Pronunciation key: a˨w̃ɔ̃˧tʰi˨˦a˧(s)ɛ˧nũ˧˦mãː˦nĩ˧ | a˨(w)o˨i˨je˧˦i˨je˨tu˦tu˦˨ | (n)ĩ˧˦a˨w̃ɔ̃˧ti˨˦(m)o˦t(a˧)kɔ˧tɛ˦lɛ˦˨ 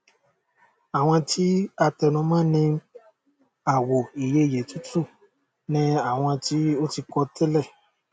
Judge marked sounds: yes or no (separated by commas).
no, yes, yes, no, no